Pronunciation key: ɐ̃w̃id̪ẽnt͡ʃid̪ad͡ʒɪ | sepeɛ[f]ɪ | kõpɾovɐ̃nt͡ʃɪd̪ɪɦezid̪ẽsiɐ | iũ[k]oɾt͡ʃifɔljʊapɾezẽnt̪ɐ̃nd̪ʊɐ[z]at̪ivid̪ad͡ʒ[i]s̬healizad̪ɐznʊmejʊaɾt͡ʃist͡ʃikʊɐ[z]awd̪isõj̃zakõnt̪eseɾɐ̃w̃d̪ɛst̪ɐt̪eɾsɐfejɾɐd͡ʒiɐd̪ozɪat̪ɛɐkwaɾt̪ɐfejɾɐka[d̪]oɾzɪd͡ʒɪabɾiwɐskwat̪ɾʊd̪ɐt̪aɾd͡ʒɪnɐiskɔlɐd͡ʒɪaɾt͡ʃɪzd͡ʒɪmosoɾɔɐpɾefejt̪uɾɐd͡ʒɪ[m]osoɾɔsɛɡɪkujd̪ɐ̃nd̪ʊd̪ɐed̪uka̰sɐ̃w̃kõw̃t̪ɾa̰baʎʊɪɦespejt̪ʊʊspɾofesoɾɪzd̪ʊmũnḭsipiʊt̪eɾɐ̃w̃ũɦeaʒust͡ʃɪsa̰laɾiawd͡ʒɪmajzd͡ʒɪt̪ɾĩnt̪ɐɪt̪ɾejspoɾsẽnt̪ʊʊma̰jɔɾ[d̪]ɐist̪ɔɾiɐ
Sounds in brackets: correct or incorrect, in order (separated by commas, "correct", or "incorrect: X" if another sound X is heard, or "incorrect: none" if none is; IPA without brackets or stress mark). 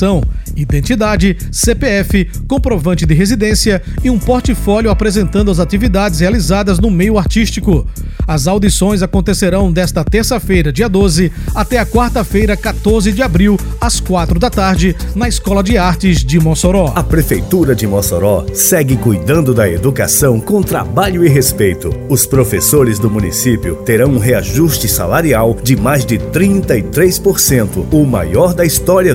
correct, incorrect: p, correct, incorrect: ɪ, correct, incorrect: t̪, correct, correct